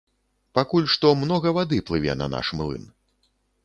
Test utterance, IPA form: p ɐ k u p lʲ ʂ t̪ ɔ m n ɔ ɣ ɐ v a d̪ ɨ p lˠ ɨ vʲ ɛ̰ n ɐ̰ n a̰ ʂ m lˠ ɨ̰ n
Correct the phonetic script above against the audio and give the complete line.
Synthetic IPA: p a k u lʲ ʂ t̪ ɔ m n ɔ ɣ ɐ v a d̪ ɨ p lˠ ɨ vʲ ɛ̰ n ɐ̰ n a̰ ʂ m lˠ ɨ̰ n